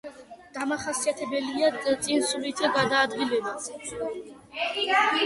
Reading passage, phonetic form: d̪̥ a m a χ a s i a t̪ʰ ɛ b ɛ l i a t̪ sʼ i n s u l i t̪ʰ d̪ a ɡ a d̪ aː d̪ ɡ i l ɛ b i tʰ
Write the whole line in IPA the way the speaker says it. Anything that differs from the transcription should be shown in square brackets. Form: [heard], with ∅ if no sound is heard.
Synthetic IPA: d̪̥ a m a χ a s i a t̪ʰ ɛ b ɛ l i a t̪ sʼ i n s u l i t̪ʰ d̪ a ɡ a d̪ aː d̪ ɡ i l ɛ b [a] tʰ